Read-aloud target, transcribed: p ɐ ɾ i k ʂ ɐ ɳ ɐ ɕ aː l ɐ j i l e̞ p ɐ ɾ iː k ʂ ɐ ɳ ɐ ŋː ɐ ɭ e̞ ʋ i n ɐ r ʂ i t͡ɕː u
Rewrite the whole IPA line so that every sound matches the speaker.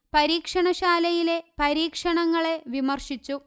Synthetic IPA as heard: p ɐ ɾ iː k ʂ ɐ ɳ ɐ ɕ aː l ɐ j i l e̞ p ɐ ɾ iː k ʂ ɐ ɳ ɐ ŋː ɐ ɭ e̞ ʋ i m ɐ r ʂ i t͡ɕː u